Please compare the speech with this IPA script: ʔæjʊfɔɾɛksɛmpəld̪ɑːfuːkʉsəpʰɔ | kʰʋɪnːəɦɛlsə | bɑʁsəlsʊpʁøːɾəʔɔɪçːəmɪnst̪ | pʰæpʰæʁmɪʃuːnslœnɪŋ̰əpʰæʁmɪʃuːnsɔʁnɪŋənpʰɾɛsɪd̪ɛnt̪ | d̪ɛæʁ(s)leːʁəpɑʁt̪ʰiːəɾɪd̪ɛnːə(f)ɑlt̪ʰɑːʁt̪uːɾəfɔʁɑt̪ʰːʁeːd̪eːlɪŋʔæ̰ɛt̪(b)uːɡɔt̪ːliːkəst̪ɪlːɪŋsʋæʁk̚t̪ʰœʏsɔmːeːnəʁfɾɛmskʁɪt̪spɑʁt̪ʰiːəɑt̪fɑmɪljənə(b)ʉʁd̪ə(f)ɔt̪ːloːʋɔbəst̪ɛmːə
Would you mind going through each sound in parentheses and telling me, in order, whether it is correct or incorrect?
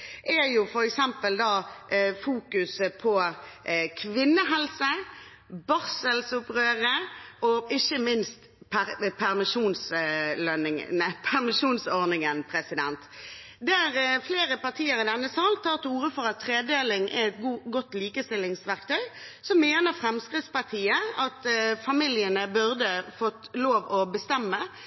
incorrect, incorrect, incorrect, correct, correct

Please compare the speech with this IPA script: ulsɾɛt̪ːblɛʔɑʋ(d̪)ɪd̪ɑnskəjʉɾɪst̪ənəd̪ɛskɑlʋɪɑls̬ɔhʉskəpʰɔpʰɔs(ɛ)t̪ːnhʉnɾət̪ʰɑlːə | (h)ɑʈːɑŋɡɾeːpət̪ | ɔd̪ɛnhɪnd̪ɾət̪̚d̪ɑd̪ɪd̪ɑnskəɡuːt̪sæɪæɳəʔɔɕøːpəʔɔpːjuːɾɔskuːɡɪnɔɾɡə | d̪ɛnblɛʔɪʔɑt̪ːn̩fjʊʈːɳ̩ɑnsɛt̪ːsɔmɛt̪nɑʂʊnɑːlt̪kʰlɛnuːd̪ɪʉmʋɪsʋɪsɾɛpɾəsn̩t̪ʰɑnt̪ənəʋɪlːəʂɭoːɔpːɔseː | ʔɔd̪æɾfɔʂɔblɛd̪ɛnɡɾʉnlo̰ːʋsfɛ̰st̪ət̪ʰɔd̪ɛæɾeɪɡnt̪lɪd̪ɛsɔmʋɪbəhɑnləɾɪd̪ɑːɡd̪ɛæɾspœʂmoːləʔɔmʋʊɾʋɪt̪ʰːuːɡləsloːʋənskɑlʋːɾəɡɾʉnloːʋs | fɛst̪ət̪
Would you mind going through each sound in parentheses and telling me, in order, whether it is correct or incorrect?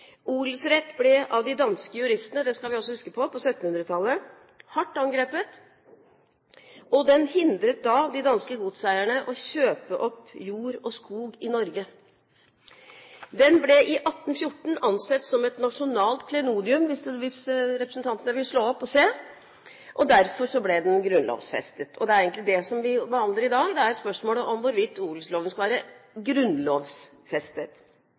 correct, incorrect, correct

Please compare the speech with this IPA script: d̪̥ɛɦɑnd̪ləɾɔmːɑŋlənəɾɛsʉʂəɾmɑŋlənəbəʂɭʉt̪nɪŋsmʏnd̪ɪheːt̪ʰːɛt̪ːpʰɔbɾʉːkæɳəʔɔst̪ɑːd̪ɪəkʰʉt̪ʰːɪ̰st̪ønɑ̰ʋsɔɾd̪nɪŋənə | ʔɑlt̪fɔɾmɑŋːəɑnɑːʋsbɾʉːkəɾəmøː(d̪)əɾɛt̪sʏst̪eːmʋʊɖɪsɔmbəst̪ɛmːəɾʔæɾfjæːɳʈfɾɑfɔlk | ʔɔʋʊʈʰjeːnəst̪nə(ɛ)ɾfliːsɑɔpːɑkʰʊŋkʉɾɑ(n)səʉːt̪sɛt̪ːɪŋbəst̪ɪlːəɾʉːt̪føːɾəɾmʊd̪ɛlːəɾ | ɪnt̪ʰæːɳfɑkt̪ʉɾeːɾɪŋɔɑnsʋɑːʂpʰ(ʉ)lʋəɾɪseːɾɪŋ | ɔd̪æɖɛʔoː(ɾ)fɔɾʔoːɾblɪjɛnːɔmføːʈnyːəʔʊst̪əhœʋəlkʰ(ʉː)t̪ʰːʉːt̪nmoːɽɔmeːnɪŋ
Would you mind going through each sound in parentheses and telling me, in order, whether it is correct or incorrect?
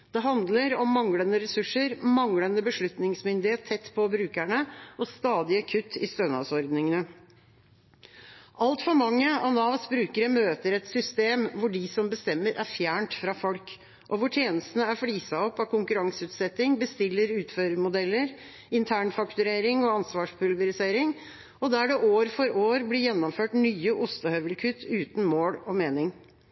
incorrect, incorrect, incorrect, correct, correct, incorrect

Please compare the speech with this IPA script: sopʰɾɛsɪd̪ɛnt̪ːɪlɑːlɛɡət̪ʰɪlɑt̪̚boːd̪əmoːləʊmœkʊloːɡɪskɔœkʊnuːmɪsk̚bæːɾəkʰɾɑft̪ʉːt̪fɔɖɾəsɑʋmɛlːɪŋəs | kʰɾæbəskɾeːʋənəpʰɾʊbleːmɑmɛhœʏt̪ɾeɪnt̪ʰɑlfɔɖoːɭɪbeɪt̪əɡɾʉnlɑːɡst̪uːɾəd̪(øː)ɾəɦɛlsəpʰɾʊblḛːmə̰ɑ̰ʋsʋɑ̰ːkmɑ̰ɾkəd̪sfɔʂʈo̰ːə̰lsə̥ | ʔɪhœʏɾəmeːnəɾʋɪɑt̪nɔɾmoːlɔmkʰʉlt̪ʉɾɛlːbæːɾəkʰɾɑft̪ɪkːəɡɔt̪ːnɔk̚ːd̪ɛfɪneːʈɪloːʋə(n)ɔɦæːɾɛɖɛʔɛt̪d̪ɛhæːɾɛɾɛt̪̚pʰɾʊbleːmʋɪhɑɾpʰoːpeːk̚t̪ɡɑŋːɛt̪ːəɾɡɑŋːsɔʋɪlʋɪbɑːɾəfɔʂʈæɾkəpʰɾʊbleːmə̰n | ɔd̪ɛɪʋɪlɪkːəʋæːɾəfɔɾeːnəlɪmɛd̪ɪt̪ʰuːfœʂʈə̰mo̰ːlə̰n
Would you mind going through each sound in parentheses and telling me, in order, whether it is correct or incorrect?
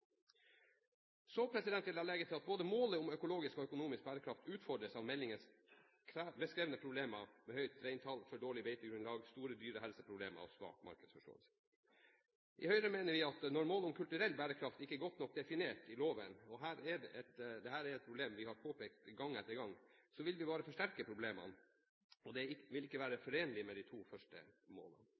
incorrect, correct

